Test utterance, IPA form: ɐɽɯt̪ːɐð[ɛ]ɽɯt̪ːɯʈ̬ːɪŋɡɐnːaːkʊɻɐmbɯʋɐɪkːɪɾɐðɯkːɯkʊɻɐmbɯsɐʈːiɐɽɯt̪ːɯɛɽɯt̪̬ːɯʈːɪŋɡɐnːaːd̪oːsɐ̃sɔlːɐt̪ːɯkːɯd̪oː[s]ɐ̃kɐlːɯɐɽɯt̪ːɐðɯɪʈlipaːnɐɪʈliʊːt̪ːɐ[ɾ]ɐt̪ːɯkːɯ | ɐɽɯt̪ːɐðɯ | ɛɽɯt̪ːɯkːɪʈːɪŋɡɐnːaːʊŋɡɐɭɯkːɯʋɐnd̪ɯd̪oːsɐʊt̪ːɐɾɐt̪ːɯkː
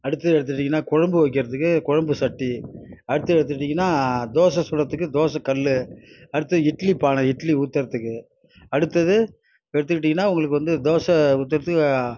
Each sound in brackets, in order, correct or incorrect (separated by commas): correct, correct, correct